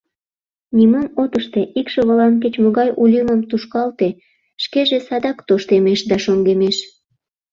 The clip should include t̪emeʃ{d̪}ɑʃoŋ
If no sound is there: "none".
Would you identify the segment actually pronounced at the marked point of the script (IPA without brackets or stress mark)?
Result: d̪